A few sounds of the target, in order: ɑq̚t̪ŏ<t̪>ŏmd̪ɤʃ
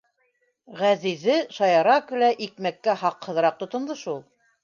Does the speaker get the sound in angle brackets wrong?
no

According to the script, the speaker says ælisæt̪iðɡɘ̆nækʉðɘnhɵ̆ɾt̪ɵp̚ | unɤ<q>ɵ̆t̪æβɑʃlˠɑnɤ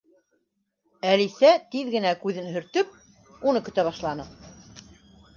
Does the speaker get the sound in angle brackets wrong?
yes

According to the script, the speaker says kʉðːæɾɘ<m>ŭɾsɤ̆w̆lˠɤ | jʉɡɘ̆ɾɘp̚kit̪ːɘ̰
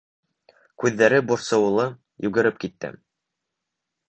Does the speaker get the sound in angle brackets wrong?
yes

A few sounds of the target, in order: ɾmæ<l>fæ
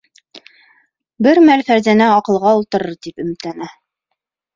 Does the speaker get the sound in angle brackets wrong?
no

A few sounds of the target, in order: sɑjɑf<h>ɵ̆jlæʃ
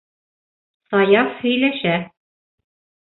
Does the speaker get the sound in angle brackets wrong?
no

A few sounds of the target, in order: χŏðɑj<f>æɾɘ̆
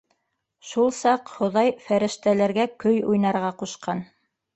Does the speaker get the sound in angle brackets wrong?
no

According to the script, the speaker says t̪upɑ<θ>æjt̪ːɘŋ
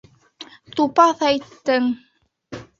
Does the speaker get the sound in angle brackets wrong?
no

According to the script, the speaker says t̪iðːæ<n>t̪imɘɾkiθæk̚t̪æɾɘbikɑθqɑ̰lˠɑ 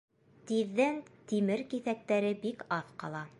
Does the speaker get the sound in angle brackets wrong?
no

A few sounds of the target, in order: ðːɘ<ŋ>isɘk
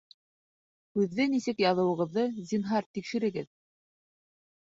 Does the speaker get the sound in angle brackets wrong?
yes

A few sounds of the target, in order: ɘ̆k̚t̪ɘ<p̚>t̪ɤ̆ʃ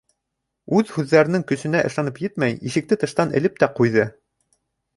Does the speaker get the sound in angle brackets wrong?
yes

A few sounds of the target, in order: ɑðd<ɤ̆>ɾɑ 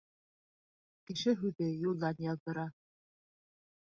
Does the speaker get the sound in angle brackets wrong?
no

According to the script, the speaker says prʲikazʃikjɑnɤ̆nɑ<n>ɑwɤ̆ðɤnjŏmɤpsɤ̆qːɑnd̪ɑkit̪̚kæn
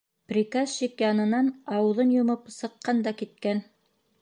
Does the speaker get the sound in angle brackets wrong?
no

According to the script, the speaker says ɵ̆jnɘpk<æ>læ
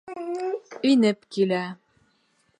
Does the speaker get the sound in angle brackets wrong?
yes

